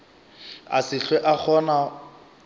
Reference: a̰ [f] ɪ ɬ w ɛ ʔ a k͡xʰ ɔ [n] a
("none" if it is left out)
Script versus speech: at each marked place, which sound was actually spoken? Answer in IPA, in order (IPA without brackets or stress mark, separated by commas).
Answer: s, n